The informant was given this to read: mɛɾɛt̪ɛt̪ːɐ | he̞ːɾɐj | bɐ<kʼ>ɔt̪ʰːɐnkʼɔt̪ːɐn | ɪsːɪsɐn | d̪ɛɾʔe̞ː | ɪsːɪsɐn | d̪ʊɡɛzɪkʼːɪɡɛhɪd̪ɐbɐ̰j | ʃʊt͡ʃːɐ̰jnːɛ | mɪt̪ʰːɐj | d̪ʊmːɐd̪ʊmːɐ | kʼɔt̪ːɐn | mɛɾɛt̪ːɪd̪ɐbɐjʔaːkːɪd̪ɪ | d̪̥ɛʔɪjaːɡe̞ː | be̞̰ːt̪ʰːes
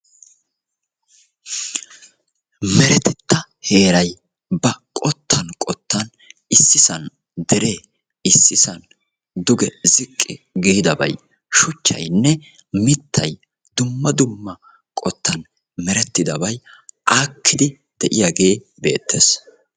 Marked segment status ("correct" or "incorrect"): correct